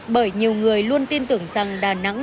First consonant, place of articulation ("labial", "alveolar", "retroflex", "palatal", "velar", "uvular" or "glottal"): labial